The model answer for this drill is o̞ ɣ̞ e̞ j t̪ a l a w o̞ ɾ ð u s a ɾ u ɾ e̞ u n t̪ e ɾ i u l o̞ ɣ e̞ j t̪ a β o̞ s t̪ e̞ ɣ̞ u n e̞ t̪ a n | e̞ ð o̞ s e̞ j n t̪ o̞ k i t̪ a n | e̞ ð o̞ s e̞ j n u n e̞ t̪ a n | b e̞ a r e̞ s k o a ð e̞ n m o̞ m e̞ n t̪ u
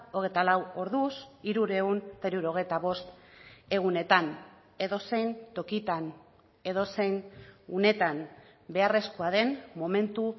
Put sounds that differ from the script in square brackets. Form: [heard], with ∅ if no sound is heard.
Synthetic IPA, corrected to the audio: o̞ ɣ̞ e̞ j t̪ a l a w o̞ ɾ ð u s [i] ɾ u ɾ e̞ u n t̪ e ɾ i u [ɾ] o̞ ɣ e̞ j t̪ a β o̞ s t̪ e̞ ɣ̞ u n e̞ t̪ a n | e̞ ð o̞ s e̞ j n t̪ o̞ k i t̪ a n | e̞ ð o̞ s e̞ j n u n e̞ t̪ a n | b e̞ a r e̞ s k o a ð e̞ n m o̞ m e̞ n t̪ u